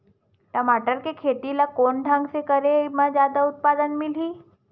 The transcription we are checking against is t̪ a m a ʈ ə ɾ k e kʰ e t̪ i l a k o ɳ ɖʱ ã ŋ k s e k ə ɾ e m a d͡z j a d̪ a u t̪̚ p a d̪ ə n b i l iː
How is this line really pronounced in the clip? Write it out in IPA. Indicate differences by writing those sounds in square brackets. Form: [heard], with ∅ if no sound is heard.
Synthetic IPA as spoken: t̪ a m a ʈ ə ɾ k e kʰ e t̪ i l a k o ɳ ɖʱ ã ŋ [ɡ] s e k ə ɾ e m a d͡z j a d̪ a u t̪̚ p a d̪ ə n [m] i l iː